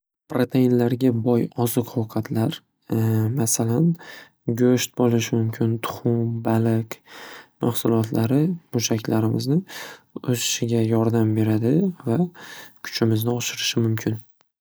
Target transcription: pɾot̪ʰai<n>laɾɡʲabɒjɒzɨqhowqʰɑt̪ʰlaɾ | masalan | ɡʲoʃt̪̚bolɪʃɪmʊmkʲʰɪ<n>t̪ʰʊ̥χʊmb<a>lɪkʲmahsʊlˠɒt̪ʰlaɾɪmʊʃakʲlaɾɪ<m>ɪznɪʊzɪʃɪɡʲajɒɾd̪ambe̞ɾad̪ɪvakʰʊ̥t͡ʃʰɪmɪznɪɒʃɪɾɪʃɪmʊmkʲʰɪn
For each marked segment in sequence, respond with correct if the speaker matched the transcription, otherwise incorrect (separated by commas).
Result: correct, correct, correct, correct